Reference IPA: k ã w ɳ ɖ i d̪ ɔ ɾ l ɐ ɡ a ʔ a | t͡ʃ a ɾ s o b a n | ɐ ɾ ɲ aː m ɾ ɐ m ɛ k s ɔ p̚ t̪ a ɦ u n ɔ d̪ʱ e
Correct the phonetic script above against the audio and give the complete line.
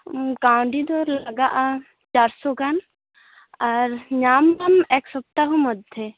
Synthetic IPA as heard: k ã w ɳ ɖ i d̪ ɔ ɾ l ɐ ɡ a ʔ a | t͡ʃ a ɾ s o ɡ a n | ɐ ɾ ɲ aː m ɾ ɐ m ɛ k s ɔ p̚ t̪ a ɦ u m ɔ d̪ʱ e